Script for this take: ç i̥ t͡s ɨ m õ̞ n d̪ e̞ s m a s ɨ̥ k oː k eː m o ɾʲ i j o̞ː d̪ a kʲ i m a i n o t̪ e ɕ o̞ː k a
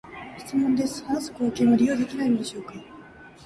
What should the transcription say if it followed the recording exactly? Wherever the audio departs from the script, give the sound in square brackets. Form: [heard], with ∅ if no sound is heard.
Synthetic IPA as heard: ç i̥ t͡s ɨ m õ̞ n d̪ e̞ s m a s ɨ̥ k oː k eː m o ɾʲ i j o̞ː d̪ [e] kʲ i [n] a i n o [d̪] e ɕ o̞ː k a